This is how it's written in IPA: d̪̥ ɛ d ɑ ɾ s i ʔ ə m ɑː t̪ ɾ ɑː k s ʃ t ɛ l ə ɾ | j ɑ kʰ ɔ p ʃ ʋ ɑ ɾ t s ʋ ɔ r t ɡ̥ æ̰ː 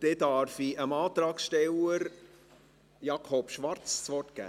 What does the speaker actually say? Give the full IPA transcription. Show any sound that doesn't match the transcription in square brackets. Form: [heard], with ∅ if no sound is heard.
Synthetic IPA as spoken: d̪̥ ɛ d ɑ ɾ [f] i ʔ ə m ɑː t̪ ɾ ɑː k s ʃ t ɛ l ə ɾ | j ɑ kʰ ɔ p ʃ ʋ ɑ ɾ [t͡s] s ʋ ɔ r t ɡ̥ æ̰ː